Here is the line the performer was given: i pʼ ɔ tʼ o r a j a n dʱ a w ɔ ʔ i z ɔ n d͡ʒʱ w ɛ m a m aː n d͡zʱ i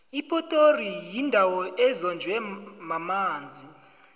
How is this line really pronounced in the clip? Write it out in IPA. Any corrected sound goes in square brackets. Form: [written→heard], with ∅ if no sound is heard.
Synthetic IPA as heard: i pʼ ɔ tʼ o r [a→i] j [a→i] n dʱ a w ɔ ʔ [i→ɛ] z ɔ n d͡ʒʱ w ɛ m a m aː n d͡zʱ i